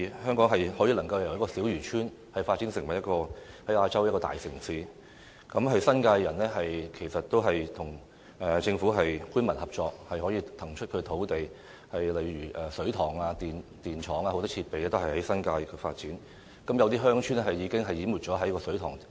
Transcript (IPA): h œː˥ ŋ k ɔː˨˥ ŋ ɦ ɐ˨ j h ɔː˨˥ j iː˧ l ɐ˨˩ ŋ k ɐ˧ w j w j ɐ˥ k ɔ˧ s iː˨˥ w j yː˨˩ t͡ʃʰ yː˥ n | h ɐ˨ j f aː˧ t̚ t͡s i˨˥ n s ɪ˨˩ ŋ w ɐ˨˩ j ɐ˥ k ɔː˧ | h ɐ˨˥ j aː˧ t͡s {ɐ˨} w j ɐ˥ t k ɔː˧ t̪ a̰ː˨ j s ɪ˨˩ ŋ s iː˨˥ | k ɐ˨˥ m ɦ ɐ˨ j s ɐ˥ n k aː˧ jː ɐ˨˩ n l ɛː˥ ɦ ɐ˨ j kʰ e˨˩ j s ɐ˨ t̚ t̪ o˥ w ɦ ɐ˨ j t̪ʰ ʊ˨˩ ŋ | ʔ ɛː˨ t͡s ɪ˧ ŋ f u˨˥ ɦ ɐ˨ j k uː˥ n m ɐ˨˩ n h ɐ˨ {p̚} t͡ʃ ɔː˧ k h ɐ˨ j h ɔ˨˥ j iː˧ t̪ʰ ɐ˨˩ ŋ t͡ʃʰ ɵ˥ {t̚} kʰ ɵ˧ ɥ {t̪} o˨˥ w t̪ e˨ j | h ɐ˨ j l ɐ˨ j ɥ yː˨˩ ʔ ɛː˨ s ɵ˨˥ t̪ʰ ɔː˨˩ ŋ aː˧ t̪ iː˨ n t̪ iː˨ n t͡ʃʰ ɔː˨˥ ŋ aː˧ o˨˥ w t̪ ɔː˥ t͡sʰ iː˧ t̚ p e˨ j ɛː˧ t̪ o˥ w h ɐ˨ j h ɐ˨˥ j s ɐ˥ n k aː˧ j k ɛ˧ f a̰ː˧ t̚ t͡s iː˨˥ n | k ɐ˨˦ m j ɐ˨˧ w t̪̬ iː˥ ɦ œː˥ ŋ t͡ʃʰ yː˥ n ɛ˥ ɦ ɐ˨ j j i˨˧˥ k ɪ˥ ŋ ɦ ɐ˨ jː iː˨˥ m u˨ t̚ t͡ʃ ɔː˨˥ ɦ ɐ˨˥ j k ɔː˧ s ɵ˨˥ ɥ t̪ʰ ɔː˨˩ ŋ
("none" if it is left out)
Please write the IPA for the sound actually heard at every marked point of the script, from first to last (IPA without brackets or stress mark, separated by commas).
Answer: ɐ˥, p̚, t̚, t̪ʰ